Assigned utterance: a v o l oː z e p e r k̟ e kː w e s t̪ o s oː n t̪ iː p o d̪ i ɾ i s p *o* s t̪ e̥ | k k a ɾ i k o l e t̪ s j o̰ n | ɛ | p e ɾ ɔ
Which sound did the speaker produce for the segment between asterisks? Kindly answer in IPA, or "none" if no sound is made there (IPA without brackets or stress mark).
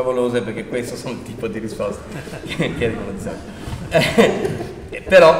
ɔ